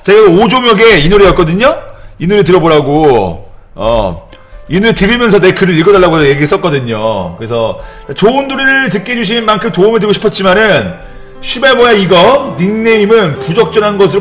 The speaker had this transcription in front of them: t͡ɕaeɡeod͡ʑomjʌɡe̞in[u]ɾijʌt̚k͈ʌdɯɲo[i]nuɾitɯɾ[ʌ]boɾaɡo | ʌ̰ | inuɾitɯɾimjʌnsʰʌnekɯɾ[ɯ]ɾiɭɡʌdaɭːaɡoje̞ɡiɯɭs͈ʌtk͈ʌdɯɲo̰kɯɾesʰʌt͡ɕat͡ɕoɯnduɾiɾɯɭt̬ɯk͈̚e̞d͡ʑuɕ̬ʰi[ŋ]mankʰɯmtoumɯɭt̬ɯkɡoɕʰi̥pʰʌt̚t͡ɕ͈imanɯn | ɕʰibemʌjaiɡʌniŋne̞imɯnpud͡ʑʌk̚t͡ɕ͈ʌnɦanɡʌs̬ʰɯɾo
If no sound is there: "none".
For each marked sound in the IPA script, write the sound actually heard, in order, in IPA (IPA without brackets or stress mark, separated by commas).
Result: u, i, ʌ, ɯ, n